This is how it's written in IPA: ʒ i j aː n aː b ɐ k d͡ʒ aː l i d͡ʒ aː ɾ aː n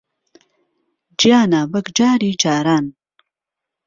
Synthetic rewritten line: d͡ʒ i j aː n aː b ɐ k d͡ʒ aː ɾ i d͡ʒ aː ɾ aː n